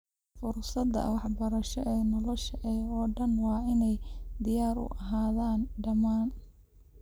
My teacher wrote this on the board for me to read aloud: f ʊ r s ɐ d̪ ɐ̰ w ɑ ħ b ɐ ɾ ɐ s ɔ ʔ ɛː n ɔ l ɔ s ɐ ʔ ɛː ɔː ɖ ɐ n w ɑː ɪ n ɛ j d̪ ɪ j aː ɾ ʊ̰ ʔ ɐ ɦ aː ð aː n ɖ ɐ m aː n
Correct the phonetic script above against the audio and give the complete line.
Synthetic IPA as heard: f ʊ r s ɐ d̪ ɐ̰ w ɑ ħ b ɐ ɾ ɐ ʃ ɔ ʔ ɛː n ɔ l ɔ ʃ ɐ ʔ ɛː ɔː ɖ ɐ n w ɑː ɪ n ɛ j d̪ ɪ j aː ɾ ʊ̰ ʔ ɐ ɦ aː ð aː n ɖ ɐ m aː n